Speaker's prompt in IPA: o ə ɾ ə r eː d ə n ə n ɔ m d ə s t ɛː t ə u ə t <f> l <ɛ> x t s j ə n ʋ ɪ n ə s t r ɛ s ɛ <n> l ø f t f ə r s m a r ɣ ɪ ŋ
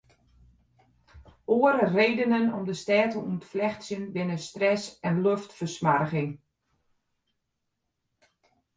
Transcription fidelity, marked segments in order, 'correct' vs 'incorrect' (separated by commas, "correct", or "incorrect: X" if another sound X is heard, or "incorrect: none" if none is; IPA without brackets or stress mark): correct, correct, correct